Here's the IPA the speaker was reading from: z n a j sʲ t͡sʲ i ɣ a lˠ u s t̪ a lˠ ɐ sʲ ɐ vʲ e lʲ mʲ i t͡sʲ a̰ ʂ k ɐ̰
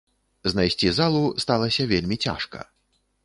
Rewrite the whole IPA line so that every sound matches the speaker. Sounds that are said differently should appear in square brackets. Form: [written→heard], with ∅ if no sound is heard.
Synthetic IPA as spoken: z n a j sʲ t͡sʲ i [ɣ→z] a lˠ u s t̪ a lˠ ɐ sʲ ɐ vʲ e lʲ mʲ i t͡sʲ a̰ ʂ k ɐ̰